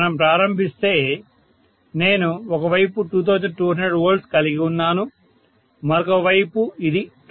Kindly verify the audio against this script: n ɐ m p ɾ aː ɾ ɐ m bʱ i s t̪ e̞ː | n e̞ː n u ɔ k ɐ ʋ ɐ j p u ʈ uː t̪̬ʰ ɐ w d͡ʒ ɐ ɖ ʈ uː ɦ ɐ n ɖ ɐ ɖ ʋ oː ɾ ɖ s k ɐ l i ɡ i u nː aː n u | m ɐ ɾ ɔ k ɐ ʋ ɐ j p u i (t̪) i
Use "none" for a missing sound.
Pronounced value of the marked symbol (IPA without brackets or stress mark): d̪